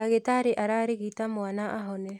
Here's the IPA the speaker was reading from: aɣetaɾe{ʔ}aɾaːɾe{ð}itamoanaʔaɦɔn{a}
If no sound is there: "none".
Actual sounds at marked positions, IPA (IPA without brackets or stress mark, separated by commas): ʔ, ɣ, ɛ